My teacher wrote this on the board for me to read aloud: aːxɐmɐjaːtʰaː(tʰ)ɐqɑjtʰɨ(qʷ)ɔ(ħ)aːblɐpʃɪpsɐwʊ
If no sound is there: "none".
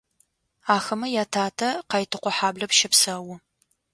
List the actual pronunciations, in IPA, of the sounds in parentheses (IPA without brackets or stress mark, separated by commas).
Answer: tʰ, qʷ, ħ